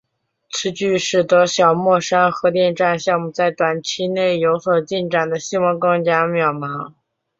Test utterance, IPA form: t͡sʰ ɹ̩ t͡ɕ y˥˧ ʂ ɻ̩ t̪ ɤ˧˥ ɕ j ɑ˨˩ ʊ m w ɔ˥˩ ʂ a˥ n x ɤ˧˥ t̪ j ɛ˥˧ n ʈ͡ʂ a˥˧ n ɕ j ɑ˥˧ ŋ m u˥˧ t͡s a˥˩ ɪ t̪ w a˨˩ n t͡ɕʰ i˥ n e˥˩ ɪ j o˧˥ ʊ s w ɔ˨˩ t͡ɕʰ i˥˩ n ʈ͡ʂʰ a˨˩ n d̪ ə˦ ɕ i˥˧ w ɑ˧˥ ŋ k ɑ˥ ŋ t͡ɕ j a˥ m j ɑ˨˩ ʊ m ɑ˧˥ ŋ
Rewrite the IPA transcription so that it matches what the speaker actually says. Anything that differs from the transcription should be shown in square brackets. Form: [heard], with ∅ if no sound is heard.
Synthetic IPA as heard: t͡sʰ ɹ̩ t͡ɕ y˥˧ ʂ ɻ̩ t̪ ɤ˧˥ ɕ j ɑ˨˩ ʊ m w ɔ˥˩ ʂ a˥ n x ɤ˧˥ t̪ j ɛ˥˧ n ʈ͡ʂ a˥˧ n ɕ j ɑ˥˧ ŋ m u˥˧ t͡s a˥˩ ɪ t̪ w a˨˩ n t͡ɕʰ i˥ n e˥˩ ɪ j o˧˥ ʊ s w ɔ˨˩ [t͡ɕ] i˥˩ n [ʈ͡ʂ] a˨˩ n d̪ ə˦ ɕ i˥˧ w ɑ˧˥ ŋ k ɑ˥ ŋ t͡ɕ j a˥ m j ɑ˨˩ ʊ m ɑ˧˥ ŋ

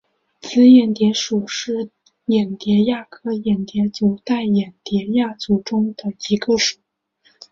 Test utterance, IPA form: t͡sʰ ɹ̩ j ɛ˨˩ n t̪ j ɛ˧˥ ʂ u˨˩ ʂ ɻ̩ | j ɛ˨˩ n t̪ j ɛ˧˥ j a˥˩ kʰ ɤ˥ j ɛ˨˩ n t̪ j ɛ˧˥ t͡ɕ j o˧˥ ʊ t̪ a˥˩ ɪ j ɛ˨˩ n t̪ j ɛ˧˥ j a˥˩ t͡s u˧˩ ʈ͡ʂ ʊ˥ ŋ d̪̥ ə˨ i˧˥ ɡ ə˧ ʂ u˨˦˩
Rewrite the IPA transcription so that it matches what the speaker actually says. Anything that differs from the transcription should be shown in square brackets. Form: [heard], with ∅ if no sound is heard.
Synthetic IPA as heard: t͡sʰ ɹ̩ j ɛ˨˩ n t̪ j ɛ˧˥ ʂ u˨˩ ʂ ɻ̩ | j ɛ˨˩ n t̪ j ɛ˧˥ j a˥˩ kʰ ɤ˥ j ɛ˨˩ n t̪ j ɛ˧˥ t͡ɕ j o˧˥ ʊ t̪ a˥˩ ɪ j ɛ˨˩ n t̪ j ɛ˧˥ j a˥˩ t͡s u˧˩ ʈ͡ʂ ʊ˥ ŋ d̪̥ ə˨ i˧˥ ɡ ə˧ ʂ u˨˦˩

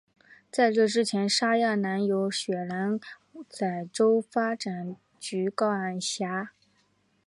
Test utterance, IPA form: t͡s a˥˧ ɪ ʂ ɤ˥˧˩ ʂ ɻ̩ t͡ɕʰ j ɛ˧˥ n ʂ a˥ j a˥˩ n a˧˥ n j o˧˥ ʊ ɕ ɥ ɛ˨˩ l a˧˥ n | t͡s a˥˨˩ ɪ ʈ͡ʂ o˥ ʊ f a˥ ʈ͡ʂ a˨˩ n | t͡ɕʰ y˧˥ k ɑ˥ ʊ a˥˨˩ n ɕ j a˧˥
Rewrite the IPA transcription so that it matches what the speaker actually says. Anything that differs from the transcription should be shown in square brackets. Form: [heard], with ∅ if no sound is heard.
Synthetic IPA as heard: t͡s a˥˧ ɪ [ʈ͡ʂ] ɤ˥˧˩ [ʈ͡ʂ] ɻ̩ t͡ɕʰ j ɛ˧˥ n ʂ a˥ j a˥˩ n a˧˥ n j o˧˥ ʊ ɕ ɥ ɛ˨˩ l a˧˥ n | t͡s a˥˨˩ ɪ ʈ͡ʂ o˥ ʊ f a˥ ʈ͡ʂ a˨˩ n | [t͡ɕ] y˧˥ k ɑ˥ ʊ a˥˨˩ n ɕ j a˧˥

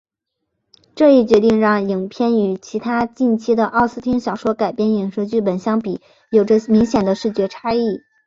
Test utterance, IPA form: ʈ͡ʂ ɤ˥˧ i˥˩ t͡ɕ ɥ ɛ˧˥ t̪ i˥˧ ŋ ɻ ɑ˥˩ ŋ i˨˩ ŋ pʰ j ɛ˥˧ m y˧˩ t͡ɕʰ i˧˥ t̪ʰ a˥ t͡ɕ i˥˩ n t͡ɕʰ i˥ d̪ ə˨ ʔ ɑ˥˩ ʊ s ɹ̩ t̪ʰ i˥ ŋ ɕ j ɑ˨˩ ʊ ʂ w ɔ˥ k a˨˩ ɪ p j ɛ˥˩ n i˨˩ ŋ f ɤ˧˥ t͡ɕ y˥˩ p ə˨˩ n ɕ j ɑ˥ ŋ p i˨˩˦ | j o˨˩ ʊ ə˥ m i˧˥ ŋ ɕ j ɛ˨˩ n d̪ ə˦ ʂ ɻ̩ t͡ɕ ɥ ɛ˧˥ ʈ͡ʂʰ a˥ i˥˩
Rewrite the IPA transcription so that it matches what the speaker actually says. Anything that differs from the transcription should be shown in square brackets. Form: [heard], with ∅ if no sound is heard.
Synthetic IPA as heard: ʈ͡ʂ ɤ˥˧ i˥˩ t͡ɕ ɥ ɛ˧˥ t̪ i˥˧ ŋ ɻ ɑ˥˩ ŋ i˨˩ ŋ pʰ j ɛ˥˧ [n] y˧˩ t͡ɕʰ i˧˥ t̪ʰ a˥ t͡ɕ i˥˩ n t͡ɕʰ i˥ d̪ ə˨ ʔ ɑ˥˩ ʊ s ɹ̩ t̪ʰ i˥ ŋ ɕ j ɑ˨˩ ʊ ʂ w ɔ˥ k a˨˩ ɪ p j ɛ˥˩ n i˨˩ ŋ [ʂ] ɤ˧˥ t͡ɕ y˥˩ p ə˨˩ n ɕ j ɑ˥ ŋ p i˨˩˦ | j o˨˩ ʊ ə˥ m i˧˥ ŋ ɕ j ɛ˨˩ n d̪ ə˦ ʂ ɻ̩ t͡ɕ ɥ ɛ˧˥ ʈ͡ʂʰ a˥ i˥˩

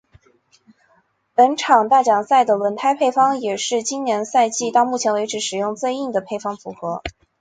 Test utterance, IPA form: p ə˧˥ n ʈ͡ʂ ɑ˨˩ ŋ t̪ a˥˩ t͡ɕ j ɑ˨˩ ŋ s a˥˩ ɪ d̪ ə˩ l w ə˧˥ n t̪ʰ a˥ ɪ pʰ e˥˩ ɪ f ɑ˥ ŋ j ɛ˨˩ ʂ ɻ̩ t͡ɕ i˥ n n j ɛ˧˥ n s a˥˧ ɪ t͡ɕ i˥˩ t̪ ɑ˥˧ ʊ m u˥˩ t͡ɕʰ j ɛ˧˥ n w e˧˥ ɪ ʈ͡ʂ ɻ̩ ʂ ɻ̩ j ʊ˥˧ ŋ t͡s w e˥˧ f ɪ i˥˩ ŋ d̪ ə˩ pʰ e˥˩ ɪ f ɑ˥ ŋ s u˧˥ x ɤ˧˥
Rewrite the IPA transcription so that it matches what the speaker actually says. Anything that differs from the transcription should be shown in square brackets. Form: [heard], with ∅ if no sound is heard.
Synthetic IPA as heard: p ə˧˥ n [ʈ͡ʂʰ] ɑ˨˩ ŋ t̪ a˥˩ t͡ɕ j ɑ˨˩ ŋ s a˥˩ ɪ d̪ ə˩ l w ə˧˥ n t̪ʰ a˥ ɪ pʰ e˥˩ ɪ f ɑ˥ ŋ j ɛ˨˩ ʂ ɻ̩ t͡ɕ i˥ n n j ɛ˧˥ n s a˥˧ ɪ t͡ɕ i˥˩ t̪ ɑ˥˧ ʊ m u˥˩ t͡ɕʰ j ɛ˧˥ n w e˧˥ ɪ ʈ͡ʂ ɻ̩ ʂ ɻ̩ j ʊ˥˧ ŋ t͡s w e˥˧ [∅] ɪ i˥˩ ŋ d̪ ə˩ pʰ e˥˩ ɪ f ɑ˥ ŋ [f] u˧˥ x ɤ˧˥

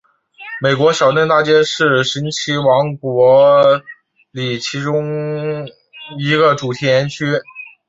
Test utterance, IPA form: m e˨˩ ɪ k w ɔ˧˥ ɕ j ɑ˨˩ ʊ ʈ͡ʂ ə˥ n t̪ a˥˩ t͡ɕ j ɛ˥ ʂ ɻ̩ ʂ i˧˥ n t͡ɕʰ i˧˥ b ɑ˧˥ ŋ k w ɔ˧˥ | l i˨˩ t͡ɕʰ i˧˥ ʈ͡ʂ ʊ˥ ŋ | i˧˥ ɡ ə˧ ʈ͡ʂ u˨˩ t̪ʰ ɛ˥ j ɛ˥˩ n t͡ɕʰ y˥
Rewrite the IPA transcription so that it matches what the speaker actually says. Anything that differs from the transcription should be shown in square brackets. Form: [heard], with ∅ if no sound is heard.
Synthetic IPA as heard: m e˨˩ ɪ k w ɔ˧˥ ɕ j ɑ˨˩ ʊ ʈ͡ʂ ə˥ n t̪ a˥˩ t͡ɕ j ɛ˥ ʂ ɻ̩ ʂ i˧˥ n t͡ɕʰ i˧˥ [w] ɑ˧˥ ŋ k w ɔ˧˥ | l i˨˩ t͡ɕʰ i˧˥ ʈ͡ʂ ʊ˥ ŋ | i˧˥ ɡ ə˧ ʈ͡ʂ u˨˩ t̪ʰ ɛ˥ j [ɛ˧˥] n t͡ɕʰ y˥

